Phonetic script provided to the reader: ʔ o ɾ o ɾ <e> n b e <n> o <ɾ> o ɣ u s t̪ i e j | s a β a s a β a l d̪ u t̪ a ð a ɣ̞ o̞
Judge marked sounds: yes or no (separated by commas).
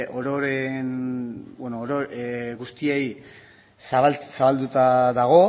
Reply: yes, yes, yes